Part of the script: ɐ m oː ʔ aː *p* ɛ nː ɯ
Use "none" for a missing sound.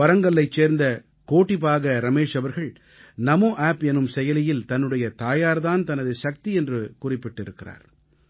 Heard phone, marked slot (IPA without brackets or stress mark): p